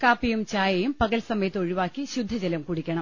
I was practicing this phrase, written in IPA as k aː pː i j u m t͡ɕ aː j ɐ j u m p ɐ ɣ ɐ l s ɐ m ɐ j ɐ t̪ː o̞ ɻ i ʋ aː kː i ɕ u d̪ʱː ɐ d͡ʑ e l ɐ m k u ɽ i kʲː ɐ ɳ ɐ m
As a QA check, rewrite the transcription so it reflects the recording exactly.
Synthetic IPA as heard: k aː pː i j u m t͡ɕ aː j ɐ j u m p ɐ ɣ ɐ l s ɐ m ɐ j ɐ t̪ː o̞ ɻ i ʋ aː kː i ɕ u d̪ʱː ɐ d͡ʑ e l ɐ m k u ɽ i kʲː ɐ ɳ ɐ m